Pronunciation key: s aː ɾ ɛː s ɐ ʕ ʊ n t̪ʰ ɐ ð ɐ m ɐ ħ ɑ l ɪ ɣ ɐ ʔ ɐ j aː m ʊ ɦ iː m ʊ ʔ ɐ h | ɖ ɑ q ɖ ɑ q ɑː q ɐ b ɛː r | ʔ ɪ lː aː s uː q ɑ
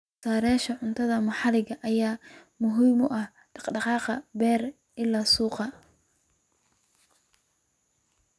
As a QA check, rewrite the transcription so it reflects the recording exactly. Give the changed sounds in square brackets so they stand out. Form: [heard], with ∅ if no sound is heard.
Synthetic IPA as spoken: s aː ɾ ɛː [ʃ] ɐ ʕ ʊ n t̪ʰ ɐ ð ɐ m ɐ ħ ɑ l ɪ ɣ ɐ ʔ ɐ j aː m ʊ ɦ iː m ʊ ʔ ɐ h | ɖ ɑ q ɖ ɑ q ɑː q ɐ b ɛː r | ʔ ɪ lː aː s uː q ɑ